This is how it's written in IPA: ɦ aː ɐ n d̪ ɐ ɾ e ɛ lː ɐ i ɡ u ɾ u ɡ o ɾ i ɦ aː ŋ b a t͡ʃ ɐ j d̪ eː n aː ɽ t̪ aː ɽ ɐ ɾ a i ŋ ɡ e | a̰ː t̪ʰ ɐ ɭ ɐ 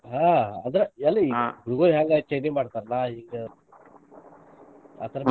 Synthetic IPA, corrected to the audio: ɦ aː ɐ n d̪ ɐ ɾ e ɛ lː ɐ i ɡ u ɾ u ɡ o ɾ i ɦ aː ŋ ɡ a t͡ʃ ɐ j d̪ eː m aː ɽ t̪ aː ɾ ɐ l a i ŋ ɡ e | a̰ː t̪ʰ ɐ ɾ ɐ